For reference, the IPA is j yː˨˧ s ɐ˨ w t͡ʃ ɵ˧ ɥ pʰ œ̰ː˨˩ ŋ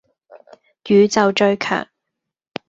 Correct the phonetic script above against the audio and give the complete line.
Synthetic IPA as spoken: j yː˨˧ t͡s ɐ˨ w t͡ʃ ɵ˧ ɥ kʰ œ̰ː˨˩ ŋ

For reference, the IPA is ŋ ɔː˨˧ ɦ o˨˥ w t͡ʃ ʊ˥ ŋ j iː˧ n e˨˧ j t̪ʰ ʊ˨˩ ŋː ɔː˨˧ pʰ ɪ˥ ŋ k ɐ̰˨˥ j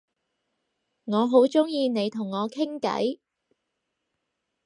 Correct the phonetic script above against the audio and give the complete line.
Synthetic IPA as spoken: ŋ ɔː˨˧ ɦ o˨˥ w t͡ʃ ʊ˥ ŋ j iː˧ n e˨˧ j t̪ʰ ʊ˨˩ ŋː ɔː˨˧ kʰ ɪ˥ ŋ k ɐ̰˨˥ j

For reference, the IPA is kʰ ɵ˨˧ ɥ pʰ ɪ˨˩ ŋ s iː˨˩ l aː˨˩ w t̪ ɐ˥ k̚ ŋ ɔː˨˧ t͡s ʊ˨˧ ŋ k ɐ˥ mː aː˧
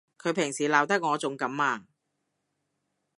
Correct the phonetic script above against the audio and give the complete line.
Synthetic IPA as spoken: kʰ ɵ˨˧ ɥ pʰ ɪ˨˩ ŋ s iː˨˩ l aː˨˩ w t̪ ɐ˥ k̚ ŋ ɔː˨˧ t͡s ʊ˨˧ ŋ k ɐ˨˥ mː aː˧

